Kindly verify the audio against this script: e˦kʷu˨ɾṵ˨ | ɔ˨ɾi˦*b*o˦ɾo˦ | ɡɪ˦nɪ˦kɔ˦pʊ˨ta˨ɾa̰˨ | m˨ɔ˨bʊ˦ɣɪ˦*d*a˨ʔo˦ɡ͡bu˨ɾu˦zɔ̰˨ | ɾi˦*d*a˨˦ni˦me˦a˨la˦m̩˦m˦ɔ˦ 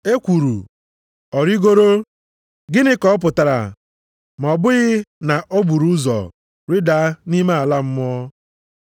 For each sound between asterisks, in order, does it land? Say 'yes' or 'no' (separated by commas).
no, no, yes